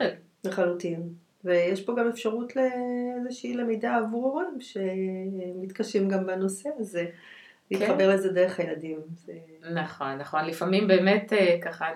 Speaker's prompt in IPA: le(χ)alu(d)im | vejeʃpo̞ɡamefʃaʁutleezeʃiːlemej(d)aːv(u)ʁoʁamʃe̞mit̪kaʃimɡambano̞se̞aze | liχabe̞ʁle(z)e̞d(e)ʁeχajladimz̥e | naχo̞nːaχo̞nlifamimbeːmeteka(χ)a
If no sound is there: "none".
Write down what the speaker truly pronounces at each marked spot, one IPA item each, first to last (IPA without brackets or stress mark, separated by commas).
χ, t, d, u, z, e, χ